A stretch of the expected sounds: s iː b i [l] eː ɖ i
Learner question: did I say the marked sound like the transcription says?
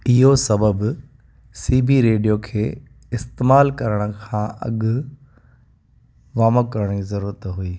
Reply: no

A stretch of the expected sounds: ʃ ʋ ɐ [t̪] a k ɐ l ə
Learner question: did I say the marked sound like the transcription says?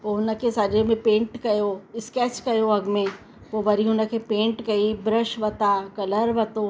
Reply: yes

